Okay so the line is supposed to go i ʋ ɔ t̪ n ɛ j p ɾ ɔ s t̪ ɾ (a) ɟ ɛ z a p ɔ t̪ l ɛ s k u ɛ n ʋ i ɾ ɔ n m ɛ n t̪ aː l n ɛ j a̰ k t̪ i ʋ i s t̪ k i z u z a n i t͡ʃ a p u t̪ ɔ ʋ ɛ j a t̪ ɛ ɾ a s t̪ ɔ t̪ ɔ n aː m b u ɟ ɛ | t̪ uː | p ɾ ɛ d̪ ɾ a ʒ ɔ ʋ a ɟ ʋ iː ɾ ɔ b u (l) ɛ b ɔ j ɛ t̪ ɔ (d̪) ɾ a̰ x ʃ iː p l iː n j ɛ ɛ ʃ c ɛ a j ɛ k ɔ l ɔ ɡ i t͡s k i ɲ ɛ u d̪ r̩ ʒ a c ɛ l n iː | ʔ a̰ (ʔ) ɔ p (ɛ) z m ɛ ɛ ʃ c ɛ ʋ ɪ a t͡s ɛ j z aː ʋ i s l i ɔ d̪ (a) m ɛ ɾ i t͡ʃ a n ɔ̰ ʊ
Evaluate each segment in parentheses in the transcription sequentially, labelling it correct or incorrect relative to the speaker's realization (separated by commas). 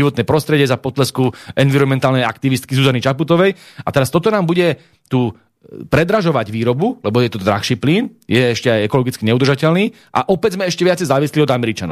incorrect, correct, correct, correct, correct, correct